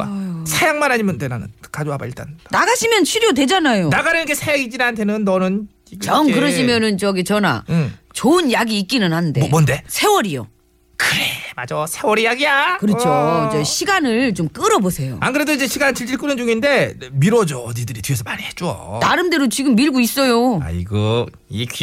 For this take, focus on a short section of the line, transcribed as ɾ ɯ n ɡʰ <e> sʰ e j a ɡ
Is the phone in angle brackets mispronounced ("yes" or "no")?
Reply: no